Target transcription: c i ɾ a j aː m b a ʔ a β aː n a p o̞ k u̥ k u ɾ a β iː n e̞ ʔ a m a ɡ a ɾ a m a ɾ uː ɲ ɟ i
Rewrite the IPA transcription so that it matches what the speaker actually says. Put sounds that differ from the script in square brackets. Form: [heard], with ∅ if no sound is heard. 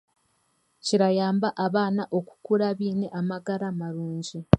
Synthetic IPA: c i ɾ a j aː m b a ʔ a β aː n a [ʔ] o̞ k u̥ k u ɾ a β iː n e̞ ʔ a m a ɡ a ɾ a m a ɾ uː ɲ ɟ i